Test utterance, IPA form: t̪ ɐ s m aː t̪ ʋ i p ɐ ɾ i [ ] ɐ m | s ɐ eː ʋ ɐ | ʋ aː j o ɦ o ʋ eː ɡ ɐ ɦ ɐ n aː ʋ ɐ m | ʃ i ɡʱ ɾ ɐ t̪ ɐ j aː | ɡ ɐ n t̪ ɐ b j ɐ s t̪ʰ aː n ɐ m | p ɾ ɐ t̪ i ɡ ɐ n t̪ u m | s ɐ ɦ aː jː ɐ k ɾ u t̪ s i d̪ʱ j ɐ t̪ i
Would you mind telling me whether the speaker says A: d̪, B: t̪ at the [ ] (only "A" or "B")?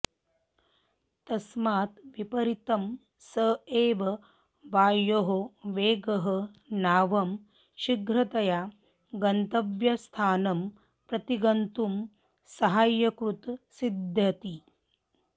B